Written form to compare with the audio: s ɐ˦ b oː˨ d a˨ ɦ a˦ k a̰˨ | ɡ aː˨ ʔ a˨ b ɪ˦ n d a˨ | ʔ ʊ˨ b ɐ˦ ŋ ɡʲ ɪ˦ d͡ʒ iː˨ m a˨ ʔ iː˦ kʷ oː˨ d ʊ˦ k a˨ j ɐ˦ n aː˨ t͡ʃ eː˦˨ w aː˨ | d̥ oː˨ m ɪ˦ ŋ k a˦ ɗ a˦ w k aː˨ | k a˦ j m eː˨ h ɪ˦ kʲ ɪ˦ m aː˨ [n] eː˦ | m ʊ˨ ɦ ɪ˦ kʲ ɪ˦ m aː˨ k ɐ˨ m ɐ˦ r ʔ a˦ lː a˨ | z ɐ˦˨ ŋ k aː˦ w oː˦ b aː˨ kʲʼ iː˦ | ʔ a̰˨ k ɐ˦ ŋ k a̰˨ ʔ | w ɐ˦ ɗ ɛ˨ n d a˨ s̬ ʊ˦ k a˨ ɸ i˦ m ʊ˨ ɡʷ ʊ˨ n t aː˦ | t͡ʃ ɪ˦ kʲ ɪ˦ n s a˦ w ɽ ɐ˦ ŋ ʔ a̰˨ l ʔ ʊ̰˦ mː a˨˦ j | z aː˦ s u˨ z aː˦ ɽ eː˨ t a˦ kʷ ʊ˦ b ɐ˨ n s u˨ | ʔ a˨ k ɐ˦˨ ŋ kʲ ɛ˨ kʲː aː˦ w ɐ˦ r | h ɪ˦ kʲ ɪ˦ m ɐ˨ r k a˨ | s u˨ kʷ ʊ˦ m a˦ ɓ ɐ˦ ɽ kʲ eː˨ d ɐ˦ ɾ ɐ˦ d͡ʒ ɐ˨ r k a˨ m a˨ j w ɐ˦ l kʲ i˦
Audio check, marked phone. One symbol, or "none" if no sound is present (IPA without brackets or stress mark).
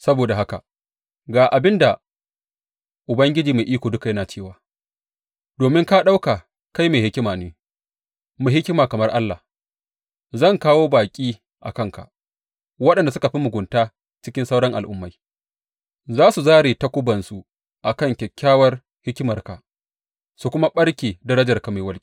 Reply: n